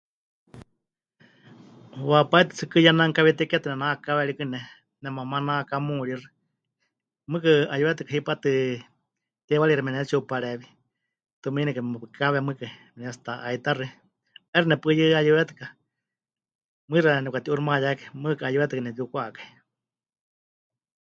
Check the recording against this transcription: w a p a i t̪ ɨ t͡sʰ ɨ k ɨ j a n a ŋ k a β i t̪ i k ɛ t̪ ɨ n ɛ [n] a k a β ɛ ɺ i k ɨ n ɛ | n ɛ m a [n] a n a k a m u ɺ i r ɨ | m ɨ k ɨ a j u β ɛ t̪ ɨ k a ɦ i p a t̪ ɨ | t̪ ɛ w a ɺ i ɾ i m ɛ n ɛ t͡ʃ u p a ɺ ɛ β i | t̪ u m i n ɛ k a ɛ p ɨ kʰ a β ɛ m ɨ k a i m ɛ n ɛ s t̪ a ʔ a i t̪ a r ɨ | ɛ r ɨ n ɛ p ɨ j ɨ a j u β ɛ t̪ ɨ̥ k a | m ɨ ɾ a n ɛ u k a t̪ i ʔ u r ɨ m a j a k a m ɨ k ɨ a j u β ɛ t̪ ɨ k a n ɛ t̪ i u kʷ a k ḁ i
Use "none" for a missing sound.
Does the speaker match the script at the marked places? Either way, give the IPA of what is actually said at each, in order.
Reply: n, m

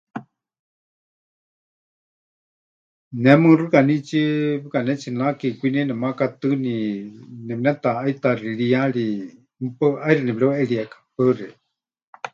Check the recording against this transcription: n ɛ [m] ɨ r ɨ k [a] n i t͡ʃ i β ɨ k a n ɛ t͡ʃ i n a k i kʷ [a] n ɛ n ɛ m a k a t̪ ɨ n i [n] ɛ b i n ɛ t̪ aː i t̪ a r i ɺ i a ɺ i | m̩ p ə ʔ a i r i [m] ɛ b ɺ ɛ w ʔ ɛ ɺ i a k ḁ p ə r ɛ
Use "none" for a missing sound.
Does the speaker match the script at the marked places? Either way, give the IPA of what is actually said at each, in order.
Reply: m, a, i, n, n

